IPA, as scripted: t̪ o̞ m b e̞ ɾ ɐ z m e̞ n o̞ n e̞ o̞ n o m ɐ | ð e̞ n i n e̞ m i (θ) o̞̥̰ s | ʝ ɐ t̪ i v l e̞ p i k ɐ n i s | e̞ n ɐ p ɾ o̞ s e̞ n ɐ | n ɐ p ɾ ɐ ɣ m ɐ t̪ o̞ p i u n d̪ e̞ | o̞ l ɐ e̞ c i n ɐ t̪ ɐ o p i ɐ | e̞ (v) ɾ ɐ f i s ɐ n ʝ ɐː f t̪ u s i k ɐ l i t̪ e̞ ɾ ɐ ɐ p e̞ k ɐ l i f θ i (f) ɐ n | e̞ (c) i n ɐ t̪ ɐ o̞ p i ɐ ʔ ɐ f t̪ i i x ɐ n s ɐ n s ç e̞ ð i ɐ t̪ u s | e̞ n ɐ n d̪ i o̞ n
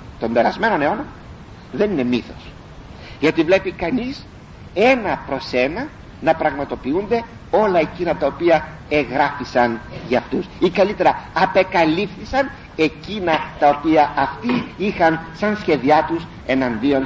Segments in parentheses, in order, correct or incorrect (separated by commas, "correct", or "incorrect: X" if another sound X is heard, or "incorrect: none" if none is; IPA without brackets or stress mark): correct, incorrect: ɣ, incorrect: s, correct